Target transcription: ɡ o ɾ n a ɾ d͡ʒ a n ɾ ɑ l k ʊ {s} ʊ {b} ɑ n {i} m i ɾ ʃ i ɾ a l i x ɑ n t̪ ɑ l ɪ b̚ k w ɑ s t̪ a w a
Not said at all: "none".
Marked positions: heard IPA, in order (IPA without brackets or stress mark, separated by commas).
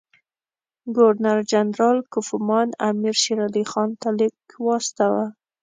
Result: f, m, a